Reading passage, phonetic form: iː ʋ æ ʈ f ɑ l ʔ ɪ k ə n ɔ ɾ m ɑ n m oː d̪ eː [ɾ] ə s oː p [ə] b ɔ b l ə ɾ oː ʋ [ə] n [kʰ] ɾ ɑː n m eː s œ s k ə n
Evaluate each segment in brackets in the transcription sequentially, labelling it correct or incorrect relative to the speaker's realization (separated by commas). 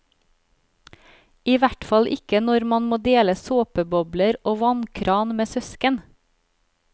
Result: incorrect, correct, incorrect, correct